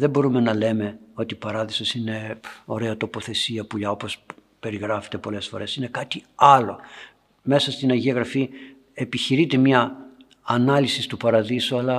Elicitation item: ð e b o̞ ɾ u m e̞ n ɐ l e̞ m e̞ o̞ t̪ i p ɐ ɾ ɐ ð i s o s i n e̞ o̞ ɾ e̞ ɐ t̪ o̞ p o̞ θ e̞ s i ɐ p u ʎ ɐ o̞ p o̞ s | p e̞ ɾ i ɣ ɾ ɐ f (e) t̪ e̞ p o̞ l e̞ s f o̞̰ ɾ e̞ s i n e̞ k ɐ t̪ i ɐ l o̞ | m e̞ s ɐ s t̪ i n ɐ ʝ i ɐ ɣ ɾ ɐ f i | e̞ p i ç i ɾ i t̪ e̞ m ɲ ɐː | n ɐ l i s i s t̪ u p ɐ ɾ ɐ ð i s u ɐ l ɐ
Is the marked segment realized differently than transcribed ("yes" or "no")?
no